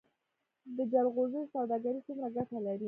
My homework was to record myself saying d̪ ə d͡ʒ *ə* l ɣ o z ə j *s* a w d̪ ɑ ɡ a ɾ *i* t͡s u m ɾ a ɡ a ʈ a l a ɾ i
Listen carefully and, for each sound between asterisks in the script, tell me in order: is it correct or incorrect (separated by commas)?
incorrect, correct, correct